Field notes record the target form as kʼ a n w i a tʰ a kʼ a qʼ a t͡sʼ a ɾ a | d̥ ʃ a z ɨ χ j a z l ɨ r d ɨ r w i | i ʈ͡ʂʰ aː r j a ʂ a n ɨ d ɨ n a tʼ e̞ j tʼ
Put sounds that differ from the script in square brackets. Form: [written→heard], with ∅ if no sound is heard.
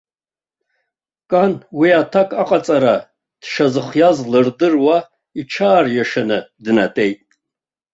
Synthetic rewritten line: kʼ a n w i a tʰ a kʼ a qʼ a t͡sʼ a ɾ a | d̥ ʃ a z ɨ χ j a z l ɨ r d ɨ r w [i→a] | i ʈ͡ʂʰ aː r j a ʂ a n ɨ d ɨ n a tʼ e̞ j tʼ